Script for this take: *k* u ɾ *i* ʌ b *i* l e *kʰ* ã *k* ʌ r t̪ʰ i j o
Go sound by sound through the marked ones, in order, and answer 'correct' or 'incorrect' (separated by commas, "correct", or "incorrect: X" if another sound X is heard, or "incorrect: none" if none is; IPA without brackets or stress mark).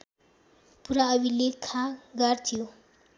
incorrect: p, incorrect: a, correct, correct, incorrect: ɡ